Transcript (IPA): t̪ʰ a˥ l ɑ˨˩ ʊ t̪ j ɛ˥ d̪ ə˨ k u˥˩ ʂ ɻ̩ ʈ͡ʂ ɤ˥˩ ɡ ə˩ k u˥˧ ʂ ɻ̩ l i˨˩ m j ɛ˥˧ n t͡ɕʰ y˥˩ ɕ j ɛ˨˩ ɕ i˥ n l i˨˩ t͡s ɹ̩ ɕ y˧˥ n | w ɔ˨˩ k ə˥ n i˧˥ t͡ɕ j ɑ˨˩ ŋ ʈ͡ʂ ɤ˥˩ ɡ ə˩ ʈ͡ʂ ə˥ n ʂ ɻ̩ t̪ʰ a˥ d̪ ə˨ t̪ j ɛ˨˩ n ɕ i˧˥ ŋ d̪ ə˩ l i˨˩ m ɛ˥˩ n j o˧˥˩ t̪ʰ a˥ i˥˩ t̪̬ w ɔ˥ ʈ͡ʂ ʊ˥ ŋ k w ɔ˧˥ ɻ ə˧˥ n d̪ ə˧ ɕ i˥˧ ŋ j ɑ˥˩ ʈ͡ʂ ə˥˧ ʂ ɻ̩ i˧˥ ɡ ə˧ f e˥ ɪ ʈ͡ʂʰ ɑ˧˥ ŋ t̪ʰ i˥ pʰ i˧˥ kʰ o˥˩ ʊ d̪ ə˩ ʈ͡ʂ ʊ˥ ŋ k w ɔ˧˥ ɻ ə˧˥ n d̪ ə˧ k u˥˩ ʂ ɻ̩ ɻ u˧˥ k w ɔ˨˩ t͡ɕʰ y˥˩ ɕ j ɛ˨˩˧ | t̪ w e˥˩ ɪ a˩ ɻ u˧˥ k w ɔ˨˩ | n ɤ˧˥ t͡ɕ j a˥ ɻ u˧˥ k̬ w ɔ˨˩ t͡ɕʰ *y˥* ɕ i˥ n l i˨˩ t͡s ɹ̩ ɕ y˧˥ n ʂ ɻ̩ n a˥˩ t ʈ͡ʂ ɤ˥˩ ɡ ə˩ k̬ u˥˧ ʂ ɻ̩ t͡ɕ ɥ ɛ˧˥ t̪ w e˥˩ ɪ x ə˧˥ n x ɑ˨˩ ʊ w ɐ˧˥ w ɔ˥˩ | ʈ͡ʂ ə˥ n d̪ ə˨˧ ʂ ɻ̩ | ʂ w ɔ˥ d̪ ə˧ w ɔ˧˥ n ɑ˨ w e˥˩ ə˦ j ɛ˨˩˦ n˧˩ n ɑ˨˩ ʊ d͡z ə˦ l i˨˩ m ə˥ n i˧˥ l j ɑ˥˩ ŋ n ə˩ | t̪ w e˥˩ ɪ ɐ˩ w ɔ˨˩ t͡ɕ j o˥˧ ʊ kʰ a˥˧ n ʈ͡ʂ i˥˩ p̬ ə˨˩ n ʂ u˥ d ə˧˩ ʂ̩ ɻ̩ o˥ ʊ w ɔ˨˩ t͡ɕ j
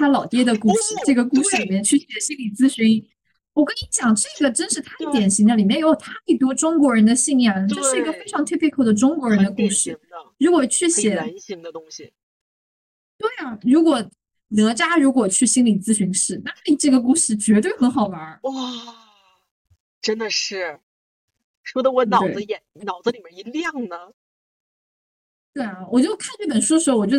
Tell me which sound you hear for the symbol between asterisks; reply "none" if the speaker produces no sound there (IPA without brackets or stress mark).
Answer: y˥˩